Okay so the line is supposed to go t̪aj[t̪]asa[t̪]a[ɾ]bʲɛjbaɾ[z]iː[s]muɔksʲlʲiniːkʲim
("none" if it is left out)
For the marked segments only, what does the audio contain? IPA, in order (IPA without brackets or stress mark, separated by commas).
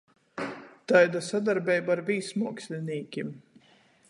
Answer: d̪, d̪, ɾ, v, s